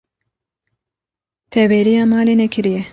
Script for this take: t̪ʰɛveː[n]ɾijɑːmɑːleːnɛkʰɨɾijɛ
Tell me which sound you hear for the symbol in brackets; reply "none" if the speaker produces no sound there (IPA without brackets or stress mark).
none